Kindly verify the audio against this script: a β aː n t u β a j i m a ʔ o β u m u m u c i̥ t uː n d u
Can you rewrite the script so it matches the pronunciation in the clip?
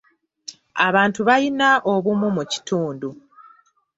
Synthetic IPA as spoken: a β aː n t u β a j i n a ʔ o β u m u m u c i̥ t uː n d u